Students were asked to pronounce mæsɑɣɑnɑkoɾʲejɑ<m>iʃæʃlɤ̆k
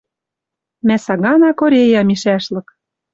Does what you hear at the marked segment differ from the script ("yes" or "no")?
no